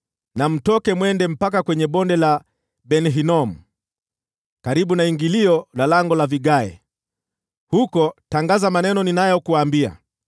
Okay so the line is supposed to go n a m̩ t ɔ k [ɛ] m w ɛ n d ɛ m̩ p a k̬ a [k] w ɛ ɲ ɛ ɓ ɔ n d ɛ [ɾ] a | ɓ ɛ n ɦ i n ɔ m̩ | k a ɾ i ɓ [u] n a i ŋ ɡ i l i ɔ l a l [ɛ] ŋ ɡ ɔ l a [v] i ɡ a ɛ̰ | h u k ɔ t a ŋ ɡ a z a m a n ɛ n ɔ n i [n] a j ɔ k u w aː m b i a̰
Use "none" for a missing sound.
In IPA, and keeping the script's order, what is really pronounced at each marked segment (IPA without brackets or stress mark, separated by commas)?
ɛ, k, l, u, a, v, n